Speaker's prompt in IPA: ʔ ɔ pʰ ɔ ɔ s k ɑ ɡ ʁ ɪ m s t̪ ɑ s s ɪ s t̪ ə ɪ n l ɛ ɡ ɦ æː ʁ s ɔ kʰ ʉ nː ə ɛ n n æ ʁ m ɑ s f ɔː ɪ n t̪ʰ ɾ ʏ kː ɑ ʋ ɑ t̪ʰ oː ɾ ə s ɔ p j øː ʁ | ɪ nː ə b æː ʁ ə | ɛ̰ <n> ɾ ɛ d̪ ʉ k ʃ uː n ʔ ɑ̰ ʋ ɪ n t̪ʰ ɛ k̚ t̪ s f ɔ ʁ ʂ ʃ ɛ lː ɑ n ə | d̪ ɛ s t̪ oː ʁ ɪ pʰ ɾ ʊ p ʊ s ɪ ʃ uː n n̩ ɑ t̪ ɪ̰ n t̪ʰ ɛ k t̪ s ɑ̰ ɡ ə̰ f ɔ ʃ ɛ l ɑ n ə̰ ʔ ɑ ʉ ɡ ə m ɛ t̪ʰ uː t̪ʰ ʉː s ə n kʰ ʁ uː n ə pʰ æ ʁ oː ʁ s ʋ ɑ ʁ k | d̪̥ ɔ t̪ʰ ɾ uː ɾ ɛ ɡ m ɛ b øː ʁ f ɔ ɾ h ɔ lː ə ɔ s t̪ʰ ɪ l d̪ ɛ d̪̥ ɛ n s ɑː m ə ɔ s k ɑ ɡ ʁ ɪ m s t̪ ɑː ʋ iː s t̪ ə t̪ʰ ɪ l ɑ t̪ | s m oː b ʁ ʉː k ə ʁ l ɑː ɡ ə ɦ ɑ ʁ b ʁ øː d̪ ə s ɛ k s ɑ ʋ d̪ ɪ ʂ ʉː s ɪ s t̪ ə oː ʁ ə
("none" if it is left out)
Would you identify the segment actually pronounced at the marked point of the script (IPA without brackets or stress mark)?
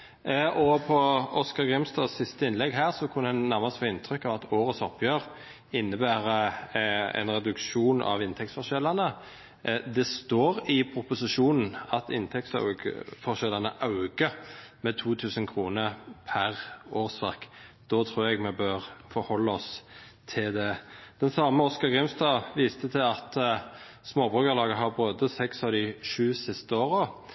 n